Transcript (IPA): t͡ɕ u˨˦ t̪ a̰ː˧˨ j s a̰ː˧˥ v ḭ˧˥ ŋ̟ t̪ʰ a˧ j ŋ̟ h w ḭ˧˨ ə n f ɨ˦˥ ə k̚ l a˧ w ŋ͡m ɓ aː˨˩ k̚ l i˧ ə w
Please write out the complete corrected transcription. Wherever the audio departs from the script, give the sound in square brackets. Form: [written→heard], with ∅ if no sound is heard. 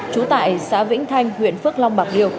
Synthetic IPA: t͡ɕ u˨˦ t̪ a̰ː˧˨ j s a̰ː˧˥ v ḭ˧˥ ŋ̟ t̪ʰ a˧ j ŋ̟ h w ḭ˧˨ ə n f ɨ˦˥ ə k̚ l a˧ w ŋ͡m ɓ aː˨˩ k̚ l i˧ ə w